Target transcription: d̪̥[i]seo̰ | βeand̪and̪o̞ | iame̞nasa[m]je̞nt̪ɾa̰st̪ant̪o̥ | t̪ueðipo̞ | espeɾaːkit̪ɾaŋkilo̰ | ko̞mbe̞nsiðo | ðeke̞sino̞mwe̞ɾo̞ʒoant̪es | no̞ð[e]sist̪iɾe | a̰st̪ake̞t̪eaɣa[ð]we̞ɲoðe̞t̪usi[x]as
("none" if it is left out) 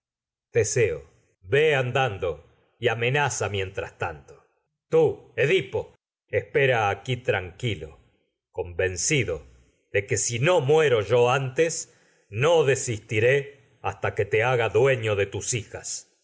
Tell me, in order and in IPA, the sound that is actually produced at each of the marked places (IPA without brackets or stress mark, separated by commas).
e, m, e, ð, x